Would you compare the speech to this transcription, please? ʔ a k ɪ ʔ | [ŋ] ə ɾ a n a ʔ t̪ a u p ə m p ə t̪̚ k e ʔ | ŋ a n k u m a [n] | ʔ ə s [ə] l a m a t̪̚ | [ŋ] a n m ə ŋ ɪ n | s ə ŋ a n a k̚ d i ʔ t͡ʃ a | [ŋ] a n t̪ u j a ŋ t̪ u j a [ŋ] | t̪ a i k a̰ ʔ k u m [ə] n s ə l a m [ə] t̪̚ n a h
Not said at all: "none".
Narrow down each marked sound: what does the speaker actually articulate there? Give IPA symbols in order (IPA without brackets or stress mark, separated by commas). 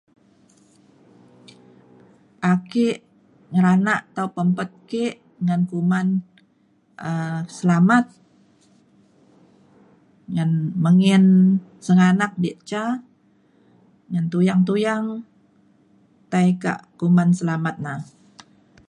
ŋ, n, ə, ŋ, ŋ, ŋ, a, a